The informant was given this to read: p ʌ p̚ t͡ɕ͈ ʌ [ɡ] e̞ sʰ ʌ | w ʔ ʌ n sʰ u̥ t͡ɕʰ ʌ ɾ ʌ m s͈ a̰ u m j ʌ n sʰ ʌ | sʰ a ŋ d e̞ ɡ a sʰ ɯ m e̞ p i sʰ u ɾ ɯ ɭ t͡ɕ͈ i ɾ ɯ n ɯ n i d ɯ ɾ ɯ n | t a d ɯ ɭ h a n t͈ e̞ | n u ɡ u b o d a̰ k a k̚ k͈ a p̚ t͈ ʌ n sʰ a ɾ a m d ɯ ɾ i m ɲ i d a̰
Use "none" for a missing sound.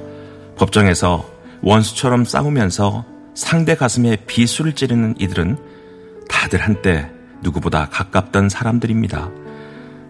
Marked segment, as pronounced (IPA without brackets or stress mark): ŋ